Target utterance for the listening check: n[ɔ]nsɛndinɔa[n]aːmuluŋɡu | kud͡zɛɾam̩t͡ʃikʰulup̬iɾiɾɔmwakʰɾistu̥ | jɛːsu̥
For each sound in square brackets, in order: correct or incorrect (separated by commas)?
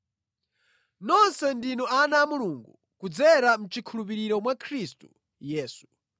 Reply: correct, correct